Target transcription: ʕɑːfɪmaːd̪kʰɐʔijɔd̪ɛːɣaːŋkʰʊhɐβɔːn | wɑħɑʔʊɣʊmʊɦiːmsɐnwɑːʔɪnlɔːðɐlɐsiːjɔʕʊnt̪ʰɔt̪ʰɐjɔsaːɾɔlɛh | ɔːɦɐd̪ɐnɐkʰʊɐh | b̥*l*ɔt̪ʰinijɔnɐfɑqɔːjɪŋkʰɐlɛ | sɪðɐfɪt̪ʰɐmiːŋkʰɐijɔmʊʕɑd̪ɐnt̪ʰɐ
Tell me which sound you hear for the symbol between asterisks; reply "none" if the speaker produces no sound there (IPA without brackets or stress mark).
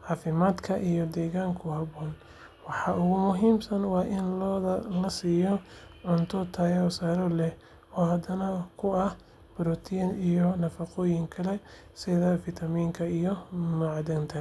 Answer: ɾ